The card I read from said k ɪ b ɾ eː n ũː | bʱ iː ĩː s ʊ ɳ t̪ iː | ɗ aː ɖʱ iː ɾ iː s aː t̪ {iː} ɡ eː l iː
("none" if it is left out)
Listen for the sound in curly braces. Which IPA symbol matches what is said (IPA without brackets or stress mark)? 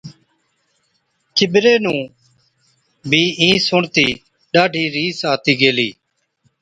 iː